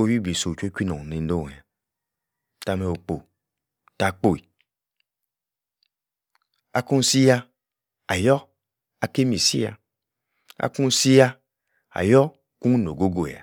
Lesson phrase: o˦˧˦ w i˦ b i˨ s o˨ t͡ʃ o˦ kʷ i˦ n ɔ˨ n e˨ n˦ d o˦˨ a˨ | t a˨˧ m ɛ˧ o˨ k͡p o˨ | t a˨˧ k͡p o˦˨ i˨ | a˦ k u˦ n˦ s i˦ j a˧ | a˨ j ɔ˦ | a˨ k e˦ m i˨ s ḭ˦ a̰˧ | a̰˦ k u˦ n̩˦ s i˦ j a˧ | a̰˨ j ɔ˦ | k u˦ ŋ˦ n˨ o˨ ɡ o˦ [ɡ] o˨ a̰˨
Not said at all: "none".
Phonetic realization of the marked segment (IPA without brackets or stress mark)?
ɡ